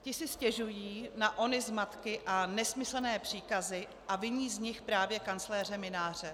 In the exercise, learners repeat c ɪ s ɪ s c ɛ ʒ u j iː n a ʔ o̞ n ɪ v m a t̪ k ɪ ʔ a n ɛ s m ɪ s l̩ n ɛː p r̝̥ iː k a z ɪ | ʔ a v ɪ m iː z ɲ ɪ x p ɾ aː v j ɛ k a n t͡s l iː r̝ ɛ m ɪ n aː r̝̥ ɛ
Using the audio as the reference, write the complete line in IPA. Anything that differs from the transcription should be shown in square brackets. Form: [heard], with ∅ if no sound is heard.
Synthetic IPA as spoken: c ɪ s ɪ s c ɛ ʒ u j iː n a ʔ o̞ n ɪ [z] m a t̪ k ɪ ʔ a n ɛ s m ɪ s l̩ n ɛː p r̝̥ iː k a z ɪ | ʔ a v ɪ [ɲ] iː z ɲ ɪ x p ɾ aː v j ɛ k a n t͡s l [ɛː] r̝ ɛ m ɪ n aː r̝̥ ɛ